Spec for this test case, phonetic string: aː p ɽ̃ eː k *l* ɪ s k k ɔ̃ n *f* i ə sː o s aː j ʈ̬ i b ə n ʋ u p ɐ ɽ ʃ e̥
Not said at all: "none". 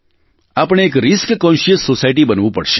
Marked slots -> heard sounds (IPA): ɾ, ʃ

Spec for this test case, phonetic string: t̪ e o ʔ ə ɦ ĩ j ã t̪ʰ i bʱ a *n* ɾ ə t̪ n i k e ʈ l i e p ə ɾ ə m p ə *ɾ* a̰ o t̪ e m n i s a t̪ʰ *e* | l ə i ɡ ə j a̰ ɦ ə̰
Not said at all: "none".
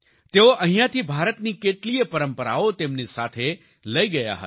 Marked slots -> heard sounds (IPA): none, ɾ, e

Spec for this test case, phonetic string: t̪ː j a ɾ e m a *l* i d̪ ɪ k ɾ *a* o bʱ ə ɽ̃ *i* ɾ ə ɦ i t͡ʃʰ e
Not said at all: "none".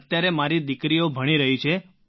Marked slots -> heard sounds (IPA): ɾ, i, i

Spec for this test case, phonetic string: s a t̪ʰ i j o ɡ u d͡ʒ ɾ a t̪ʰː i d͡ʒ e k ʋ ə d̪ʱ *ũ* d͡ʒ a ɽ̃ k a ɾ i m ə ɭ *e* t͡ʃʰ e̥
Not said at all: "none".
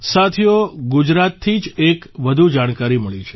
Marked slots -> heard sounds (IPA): u, i

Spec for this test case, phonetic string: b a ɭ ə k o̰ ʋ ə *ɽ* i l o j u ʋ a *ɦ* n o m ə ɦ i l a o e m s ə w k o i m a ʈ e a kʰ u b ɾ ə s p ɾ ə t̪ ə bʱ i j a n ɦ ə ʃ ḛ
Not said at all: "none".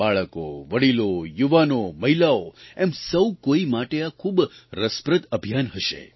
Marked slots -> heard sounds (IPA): ɽ, none

